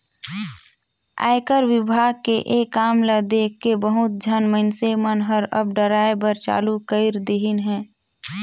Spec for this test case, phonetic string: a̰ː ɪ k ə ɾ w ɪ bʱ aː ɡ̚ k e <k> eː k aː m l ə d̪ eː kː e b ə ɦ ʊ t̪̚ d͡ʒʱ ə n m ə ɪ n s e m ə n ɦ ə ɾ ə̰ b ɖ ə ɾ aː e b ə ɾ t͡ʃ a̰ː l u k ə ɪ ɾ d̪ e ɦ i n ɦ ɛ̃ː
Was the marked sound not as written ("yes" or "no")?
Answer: yes